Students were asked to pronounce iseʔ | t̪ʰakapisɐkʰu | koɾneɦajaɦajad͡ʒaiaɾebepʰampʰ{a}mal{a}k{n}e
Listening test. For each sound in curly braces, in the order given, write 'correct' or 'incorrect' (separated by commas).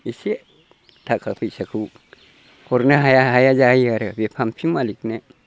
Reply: incorrect, incorrect, correct